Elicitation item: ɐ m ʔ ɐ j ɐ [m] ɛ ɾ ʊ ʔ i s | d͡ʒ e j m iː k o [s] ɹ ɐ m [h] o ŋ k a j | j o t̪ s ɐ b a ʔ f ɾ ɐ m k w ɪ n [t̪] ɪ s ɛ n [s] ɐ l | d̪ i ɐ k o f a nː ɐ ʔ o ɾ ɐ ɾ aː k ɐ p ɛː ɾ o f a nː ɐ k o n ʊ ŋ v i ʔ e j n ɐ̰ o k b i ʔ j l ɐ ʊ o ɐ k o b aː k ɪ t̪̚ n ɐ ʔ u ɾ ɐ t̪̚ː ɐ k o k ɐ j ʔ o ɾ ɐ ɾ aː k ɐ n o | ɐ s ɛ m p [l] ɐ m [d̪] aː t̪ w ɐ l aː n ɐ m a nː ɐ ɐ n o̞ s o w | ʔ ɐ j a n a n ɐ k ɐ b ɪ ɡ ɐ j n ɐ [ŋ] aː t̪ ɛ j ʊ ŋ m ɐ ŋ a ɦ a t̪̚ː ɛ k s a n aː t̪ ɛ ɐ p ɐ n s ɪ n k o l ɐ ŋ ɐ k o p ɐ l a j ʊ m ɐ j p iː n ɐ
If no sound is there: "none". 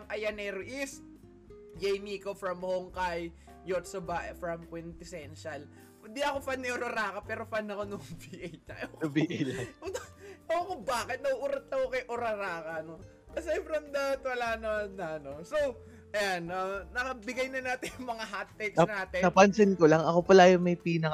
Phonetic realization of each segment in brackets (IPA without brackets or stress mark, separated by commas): n, f, h, t̪, ʃ, ɾ, d̪, n